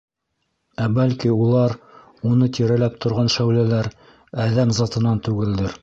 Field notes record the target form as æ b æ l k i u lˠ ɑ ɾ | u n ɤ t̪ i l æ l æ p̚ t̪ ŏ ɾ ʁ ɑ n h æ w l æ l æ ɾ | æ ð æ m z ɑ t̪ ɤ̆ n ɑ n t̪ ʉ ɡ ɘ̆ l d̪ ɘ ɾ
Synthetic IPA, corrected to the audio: æ b æ l k i u lˠ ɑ ɾ | u n ɤ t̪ i ɾ æ l æ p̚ t̪ ŏ ɾ ʁ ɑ n ʃ æ w l æ l æ ɾ | æ ð æ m z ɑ t̪ ɤ̆ n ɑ n t̪ ʉ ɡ ɘ̆ l d̪ ɘ ɾ